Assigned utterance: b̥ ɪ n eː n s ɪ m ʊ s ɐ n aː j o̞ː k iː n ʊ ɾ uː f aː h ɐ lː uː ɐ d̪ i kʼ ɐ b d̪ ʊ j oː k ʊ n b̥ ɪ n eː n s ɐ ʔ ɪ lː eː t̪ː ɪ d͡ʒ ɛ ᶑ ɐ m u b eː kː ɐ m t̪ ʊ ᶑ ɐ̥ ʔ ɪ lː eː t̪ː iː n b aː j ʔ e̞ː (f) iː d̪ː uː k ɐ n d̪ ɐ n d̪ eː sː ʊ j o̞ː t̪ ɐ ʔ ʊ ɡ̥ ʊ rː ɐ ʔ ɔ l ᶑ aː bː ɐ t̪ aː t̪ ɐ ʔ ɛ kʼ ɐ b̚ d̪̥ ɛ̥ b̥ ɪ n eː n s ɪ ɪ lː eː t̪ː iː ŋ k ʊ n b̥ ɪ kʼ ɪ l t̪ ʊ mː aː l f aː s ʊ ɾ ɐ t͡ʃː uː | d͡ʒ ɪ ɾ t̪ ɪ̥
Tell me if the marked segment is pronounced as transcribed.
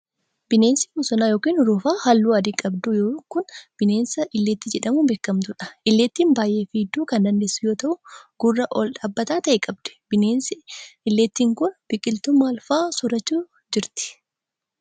yes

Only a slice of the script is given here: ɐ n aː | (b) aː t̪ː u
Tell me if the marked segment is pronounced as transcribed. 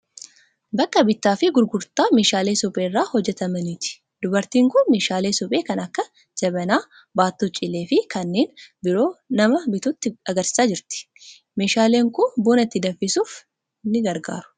yes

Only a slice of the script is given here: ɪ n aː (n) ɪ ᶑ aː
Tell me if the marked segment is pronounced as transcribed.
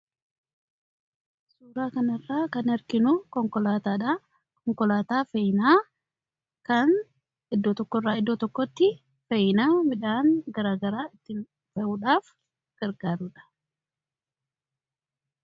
no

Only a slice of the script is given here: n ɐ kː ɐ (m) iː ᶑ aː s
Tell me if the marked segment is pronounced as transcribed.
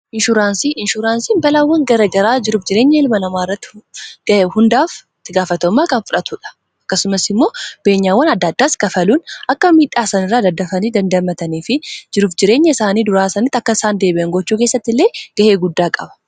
yes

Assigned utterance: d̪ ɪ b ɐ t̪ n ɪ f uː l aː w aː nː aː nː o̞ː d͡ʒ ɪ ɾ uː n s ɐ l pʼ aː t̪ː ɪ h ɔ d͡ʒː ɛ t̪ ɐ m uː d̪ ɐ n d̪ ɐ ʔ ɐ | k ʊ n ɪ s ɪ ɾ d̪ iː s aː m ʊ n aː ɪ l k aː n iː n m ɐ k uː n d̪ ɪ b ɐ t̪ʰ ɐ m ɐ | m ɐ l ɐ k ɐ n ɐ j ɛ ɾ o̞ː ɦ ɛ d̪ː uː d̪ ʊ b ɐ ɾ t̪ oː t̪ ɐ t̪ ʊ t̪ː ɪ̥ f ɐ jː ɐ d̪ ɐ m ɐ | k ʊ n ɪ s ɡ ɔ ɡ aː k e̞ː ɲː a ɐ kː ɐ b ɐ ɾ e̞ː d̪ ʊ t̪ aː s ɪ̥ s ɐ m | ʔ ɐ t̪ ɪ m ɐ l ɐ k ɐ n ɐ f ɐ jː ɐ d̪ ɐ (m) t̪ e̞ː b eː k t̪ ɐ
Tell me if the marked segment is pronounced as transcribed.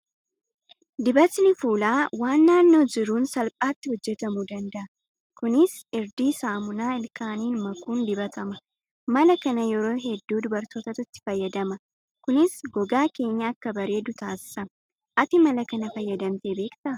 yes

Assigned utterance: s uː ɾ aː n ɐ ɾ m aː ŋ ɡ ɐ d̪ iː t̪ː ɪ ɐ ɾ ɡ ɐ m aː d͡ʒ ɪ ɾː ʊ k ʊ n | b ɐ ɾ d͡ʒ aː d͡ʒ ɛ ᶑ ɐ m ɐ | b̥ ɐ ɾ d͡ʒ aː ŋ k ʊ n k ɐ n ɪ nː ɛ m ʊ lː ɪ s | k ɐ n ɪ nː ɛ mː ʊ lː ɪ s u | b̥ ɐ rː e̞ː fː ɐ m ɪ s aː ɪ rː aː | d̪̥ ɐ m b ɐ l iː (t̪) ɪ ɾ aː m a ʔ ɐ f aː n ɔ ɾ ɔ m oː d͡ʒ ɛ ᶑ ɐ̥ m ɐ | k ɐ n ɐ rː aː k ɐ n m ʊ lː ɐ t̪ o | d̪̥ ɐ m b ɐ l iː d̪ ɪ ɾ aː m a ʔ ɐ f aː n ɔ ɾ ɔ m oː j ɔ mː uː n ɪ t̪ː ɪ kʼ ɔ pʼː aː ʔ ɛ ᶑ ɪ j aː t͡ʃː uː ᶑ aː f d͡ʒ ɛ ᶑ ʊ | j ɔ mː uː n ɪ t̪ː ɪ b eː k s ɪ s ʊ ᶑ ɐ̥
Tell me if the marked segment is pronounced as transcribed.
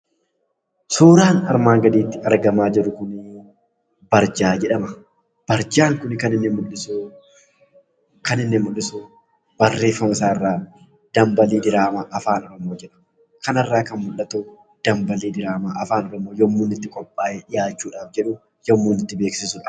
no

